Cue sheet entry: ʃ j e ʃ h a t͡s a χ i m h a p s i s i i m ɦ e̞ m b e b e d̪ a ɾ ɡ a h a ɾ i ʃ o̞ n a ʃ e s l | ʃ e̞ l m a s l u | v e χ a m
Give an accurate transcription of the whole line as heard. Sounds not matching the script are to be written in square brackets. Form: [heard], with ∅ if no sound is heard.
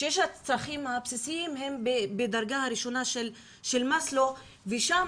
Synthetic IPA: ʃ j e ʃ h a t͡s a χ i m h a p s i s i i m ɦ e̞ m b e b e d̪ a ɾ ɡ a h a ɾ i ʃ o̞ n a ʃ e [∅] l | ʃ e̞ l m a s l [o] | v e [ʃ] a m

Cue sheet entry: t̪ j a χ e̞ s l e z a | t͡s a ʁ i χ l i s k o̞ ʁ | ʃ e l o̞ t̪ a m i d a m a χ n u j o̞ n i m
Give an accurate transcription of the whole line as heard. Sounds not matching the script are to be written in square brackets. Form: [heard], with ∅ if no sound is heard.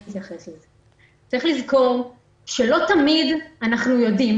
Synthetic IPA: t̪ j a χ e̞ s l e z [e] | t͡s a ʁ i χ l i [z] k o̞ ʁ | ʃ e l o̞ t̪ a m i d a [n] a χ n u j o̞ [d] i m

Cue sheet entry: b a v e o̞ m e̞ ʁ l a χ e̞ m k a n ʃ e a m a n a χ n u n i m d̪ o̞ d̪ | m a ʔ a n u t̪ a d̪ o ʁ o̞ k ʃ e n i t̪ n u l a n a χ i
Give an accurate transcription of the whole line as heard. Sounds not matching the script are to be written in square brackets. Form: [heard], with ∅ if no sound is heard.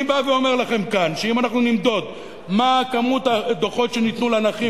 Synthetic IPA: b a v e o̞ m e̞ ʁ l a χ e̞ m k a n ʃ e [i] m a n a χ n u n i m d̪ o̞ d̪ | m a [k] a [m] u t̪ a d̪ o [χ] o̞ [t] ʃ e n i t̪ n u l a n a χ i

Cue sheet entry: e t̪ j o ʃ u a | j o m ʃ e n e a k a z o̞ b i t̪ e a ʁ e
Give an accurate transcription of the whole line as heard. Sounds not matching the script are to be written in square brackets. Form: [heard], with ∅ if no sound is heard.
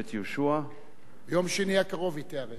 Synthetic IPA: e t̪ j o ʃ u a | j o m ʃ e n [i] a k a [ʁ] o̞ [v] i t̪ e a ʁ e

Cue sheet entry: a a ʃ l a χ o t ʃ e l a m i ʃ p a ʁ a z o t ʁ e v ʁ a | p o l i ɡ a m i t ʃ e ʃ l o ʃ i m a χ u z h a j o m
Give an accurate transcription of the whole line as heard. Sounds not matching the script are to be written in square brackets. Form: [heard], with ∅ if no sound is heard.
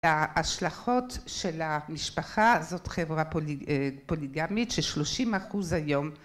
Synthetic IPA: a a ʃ l a χ o t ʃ e l a m i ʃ p a [χ] a z o t [χ] e v ʁ a | p o l i ɡ a m i t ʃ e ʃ l o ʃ i m a χ u z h a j o m

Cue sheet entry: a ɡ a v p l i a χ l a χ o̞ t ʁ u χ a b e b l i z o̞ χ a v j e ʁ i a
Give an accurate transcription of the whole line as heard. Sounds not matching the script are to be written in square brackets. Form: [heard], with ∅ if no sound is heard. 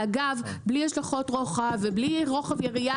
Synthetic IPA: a ɡ a v [b] l i a [ʃ] l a χ o̞ t ʁ [o] χ a [v] e b l i [ʁ] o̞ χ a v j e ʁ i a

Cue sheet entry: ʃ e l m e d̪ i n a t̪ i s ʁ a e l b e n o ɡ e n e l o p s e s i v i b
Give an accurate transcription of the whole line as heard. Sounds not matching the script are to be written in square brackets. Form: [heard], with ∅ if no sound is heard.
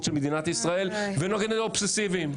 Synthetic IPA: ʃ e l m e d̪ i n a t̪ i s ʁ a e l [v] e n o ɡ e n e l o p s e s i v i [m]

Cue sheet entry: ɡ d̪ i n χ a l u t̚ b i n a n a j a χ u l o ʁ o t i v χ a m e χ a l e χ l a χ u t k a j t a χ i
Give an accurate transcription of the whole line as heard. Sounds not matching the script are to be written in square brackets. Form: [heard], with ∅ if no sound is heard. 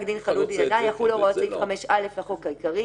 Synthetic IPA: ɡ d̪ i n χ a l u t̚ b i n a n a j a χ u l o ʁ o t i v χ a m e [ʃ] a l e [f] l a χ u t k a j [k] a [ʁ] i

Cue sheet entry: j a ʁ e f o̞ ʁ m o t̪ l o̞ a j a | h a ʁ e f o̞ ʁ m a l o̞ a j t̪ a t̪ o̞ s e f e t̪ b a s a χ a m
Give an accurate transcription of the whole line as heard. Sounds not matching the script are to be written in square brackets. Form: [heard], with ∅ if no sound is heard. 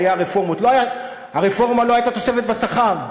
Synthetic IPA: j a ʁ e f o̞ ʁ m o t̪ l o̞ a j a | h a ʁ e f o̞ ʁ m a l o̞ a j t̪ a t̪ o̞ s e f e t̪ b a s a χ a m

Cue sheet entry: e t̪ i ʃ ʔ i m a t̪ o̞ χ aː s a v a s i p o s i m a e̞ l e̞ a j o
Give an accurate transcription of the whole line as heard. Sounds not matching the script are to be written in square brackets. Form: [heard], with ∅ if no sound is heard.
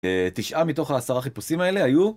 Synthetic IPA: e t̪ i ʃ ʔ [a] m [i] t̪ o̞ χ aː s a [ʁ] a [χ] i p [u] s i m a e̞ l e̞ a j [u]

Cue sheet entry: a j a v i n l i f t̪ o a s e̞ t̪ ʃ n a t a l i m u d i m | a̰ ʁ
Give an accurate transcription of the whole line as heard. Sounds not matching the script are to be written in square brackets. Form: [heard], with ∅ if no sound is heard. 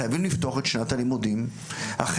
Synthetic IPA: a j a v i [m] l i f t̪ o a [χ] e̞ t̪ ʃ n a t a l i m u d i m | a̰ [χ]

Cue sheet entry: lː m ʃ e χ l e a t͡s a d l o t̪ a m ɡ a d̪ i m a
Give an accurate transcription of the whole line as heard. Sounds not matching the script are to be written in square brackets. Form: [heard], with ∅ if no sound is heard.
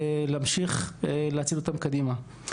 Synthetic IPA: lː m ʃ [i] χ l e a t͡s [i] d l o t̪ a m [k] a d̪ i m a

